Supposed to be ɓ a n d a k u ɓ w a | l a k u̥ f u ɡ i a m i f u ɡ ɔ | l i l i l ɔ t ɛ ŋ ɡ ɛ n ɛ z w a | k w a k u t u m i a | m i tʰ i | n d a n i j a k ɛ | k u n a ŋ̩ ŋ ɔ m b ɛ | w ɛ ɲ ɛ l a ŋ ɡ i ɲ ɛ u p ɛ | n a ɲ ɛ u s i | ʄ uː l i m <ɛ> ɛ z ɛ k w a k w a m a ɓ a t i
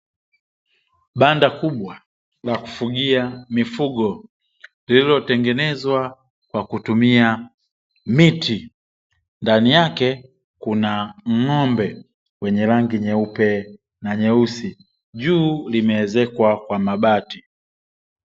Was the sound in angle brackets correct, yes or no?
yes